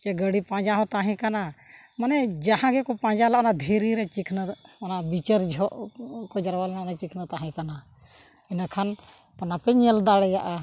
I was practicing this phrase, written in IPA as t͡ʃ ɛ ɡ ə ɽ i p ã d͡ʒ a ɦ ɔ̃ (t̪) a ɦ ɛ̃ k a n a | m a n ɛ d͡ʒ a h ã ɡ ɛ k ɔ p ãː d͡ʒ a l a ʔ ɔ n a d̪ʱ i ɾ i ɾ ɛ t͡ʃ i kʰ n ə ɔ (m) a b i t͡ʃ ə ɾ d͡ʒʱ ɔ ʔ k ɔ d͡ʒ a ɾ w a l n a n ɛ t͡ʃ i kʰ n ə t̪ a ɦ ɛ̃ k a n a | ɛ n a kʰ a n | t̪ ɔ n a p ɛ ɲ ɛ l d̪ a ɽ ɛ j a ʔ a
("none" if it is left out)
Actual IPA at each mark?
t̪, n

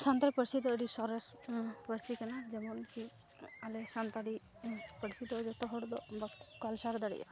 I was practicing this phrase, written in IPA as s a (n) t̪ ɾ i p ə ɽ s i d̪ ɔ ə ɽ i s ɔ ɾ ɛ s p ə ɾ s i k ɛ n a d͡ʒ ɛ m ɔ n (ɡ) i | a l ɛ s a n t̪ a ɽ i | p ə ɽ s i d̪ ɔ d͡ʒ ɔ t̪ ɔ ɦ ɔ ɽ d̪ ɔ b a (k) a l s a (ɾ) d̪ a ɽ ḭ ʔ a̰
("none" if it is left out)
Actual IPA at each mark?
n, k, k, ɾ

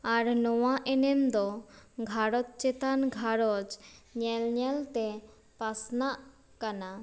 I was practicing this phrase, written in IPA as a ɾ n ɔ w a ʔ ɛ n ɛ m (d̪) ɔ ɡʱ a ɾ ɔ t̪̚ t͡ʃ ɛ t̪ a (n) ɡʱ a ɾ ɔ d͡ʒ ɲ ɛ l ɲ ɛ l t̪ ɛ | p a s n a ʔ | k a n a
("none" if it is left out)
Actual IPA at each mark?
d̪, n

